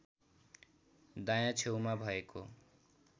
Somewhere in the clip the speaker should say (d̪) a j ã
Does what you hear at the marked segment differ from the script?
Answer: no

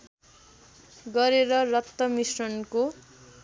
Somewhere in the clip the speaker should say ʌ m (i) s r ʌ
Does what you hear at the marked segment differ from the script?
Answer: no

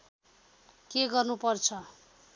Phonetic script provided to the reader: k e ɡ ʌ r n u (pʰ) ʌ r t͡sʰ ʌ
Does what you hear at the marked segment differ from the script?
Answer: yes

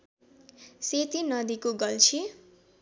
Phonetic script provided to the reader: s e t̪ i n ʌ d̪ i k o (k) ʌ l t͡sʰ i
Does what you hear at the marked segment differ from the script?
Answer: yes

